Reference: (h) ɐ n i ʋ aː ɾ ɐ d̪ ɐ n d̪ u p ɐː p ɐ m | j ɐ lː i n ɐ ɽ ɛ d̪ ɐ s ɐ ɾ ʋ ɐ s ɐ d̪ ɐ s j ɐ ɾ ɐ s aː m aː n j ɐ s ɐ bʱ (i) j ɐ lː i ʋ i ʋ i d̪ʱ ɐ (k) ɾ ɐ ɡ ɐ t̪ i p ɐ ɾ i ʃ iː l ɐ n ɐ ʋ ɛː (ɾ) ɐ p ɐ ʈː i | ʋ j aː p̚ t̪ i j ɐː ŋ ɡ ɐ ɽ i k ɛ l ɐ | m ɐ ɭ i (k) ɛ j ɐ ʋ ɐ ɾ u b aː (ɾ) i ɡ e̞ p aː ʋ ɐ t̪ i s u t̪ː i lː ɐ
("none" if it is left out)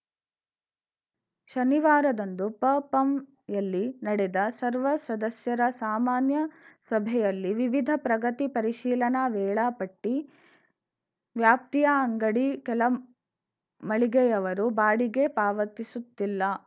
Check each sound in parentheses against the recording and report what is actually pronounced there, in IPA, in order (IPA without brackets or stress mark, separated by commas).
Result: ʃ, ɛ, p, ɭ, ɡ, ɽ